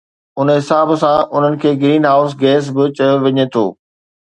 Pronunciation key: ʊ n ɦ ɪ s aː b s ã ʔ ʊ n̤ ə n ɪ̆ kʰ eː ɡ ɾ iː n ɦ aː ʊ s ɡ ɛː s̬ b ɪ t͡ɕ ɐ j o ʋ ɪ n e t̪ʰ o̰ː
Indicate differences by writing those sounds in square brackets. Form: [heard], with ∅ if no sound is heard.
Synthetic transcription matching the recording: ʊ n ɦ ɪ s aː b s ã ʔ ʊ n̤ ə n ɪ̆ kʰ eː ɡ ɾ iː n ɦ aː ʊ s ɡ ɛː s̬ b ɪ t͡ɕ ɐ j o ʋ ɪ [ɲ] e t̪ʰ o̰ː